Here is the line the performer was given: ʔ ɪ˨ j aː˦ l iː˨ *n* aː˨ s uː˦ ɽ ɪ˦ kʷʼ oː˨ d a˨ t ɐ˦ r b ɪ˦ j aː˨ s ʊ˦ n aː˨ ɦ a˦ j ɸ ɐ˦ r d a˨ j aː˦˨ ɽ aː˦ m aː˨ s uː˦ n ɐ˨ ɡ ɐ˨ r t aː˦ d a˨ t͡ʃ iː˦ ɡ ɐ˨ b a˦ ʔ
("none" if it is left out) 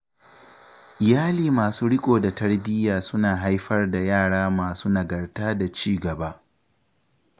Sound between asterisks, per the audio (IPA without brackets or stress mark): m